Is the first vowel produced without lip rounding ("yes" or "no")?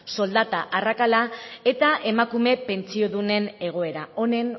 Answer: no